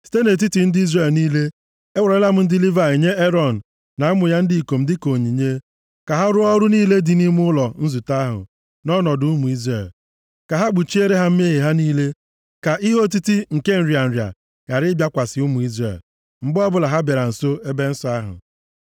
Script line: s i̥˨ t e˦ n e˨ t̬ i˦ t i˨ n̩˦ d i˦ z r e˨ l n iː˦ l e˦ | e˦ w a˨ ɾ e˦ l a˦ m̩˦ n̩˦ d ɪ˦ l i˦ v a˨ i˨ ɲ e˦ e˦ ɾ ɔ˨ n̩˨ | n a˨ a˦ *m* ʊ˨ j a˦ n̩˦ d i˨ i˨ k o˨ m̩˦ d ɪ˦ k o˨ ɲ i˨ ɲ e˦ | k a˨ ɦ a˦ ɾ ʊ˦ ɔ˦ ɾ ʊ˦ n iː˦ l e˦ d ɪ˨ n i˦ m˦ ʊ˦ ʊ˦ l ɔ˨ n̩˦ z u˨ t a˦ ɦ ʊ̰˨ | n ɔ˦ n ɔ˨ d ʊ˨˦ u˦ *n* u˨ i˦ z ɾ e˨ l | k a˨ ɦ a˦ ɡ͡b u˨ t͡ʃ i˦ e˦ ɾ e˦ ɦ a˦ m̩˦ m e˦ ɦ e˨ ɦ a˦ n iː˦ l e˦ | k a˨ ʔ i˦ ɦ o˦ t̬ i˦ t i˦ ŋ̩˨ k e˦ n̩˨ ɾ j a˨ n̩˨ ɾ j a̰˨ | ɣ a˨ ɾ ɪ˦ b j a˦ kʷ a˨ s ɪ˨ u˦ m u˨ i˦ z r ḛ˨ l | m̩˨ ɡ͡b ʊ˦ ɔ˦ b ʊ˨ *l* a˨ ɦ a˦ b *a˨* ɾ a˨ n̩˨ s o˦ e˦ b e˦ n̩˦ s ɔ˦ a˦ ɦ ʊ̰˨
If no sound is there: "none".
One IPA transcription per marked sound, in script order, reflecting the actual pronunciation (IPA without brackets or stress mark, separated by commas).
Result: m, m, l, e˨